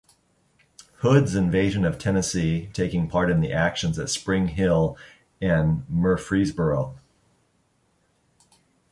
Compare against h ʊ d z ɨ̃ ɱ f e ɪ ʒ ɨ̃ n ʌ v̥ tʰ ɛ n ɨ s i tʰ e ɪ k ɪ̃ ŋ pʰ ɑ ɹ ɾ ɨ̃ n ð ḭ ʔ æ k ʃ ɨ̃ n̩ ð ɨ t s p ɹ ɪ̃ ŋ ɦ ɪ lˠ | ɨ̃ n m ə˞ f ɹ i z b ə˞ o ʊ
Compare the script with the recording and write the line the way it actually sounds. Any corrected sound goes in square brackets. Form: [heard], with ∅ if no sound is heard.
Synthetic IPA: h ʊ d z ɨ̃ ɱ [v] e ɪ ʒ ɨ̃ n ʌ v̥ tʰ ɛ n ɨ s i tʰ e ɪ k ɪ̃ ŋ pʰ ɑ ɹ ɾ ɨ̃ n ð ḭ ʔ æ k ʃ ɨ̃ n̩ [z] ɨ t s p ɹ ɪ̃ ŋ ɦ ɪ lˠ | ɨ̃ n m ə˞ f ɹ i z b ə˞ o ʊ